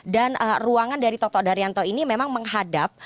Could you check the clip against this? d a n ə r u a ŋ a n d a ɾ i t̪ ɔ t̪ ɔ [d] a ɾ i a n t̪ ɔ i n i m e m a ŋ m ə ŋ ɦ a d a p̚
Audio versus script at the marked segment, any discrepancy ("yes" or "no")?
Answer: no